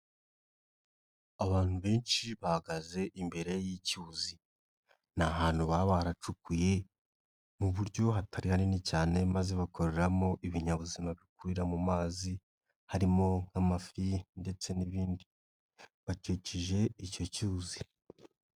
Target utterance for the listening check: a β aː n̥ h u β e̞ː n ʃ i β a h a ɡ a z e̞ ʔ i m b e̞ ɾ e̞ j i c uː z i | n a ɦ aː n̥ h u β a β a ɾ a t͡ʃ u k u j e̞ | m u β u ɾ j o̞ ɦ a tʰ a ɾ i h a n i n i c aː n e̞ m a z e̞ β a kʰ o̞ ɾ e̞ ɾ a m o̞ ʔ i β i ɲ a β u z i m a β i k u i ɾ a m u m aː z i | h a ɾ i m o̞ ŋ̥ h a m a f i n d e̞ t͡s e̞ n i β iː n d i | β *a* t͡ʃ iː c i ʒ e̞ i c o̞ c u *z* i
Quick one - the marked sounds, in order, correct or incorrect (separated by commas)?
correct, correct